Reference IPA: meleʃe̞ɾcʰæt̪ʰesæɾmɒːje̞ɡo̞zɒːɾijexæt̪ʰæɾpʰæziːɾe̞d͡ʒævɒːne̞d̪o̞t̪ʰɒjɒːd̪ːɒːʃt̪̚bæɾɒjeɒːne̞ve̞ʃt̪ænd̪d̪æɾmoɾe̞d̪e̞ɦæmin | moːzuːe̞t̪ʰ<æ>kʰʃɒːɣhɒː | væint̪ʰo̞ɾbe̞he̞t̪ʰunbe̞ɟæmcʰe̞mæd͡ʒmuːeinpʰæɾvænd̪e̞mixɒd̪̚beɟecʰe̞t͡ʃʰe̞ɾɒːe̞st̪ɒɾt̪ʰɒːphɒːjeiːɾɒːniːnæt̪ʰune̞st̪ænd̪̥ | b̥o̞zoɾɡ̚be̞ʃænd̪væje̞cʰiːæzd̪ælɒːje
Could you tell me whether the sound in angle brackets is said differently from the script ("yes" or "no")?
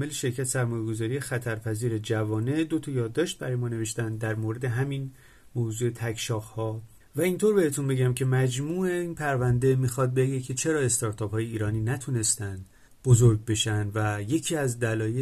no